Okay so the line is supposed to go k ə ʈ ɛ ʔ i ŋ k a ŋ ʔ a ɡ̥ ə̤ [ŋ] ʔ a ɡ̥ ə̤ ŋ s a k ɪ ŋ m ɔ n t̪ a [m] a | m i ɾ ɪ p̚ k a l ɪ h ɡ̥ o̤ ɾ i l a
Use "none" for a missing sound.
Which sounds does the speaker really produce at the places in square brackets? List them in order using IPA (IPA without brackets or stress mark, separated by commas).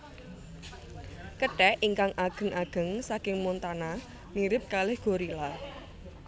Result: ŋ, n